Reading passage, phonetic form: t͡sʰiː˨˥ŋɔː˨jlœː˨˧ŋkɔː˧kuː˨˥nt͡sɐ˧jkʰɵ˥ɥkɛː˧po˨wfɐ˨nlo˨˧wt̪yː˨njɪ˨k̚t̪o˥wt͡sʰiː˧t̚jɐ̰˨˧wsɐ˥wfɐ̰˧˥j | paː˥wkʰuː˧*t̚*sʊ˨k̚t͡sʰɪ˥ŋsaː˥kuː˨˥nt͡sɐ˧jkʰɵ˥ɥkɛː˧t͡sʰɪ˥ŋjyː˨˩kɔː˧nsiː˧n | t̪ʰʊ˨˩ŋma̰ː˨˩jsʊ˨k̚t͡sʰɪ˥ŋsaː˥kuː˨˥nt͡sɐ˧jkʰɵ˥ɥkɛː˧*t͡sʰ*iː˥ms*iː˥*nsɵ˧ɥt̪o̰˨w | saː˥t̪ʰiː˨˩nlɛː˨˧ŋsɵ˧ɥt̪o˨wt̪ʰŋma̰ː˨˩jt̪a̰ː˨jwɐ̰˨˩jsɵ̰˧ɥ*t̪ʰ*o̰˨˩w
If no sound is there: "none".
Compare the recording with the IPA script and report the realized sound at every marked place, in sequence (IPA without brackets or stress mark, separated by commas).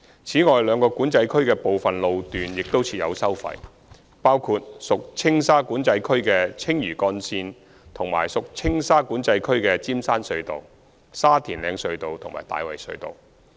t̚, t͡s, aː˥, t̪